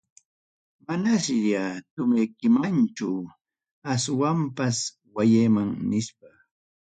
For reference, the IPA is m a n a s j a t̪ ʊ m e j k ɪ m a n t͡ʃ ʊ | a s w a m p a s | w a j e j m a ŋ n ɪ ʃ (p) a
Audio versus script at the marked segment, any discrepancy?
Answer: no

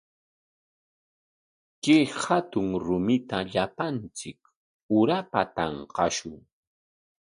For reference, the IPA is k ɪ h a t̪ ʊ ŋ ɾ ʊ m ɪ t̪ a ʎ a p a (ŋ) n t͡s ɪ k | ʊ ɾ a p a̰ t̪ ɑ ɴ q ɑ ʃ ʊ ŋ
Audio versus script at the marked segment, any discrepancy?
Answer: yes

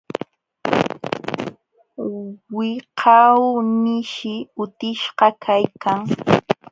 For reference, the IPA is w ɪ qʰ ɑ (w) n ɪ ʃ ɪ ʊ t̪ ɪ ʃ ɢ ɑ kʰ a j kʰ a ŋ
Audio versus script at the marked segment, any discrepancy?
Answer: no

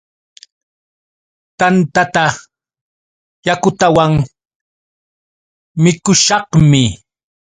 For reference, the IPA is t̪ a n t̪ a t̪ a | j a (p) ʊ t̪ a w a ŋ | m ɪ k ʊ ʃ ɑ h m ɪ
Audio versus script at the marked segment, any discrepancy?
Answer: yes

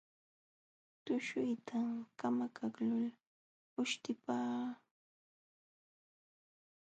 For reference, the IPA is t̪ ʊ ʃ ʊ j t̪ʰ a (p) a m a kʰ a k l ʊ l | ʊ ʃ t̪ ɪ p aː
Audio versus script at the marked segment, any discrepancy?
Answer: yes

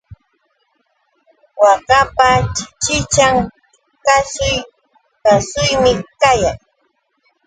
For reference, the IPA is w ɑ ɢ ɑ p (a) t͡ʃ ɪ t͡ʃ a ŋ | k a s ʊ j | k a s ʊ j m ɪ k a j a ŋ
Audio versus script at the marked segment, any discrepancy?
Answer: no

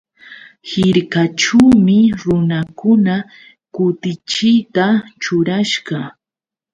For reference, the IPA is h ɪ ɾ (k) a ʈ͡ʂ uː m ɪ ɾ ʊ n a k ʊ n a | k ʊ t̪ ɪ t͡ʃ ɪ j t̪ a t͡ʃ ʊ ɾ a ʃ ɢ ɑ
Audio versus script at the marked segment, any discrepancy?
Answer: no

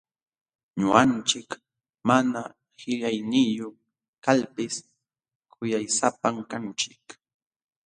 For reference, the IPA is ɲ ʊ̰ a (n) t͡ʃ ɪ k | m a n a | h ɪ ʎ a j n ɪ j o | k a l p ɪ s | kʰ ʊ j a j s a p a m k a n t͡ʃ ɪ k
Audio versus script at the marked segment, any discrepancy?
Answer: no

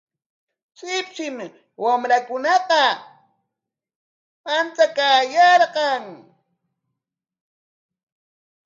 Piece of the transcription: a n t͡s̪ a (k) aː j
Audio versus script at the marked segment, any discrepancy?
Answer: no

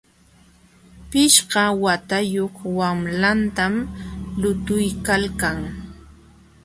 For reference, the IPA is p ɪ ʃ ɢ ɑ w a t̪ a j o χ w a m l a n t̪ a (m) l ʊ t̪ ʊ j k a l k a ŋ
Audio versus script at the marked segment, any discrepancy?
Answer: no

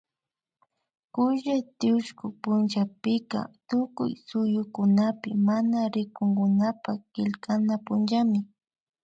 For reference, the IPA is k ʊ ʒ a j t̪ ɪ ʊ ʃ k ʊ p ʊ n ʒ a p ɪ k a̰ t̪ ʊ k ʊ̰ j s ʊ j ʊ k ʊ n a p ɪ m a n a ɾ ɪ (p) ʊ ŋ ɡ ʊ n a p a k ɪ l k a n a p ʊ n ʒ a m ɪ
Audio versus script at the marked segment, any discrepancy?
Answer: yes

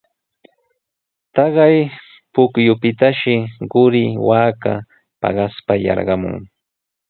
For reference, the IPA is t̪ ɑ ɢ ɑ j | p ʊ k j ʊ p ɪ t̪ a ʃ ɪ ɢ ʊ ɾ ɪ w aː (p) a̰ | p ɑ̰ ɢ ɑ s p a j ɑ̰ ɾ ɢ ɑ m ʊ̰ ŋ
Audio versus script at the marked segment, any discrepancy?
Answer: yes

